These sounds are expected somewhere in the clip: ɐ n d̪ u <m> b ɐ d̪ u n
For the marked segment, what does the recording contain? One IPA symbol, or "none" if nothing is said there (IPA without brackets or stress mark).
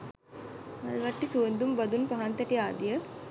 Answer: m